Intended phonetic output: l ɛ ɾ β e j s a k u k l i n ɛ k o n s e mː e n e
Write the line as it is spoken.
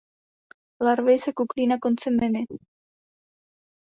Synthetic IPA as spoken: l a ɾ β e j s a k u k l i n a k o n t͡s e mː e n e